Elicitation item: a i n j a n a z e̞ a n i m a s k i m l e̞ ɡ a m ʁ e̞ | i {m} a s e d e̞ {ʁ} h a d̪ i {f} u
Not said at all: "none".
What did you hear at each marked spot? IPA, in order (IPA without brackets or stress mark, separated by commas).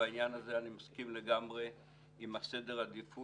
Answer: m, ʁ, f